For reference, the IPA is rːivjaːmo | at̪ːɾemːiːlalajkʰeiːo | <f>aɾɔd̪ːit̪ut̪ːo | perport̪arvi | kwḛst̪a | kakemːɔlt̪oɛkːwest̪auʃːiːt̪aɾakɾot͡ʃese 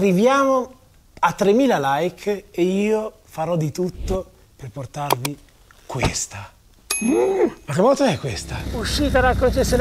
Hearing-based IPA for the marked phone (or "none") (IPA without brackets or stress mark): f